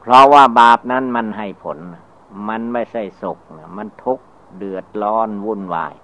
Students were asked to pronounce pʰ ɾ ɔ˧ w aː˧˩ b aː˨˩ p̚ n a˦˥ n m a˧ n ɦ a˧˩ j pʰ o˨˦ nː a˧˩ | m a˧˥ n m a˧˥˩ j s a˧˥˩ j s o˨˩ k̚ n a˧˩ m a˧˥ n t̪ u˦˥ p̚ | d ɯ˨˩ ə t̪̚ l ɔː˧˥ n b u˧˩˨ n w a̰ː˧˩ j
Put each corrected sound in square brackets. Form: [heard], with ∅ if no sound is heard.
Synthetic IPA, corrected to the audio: pʰ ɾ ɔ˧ w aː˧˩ b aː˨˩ p̚ n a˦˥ n m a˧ n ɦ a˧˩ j pʰ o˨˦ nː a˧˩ | m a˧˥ n m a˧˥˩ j s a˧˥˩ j s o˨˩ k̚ n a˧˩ m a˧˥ n [t̪ʰ] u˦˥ [k̚] | d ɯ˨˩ ə t̪̚ l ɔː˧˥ n [w] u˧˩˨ n w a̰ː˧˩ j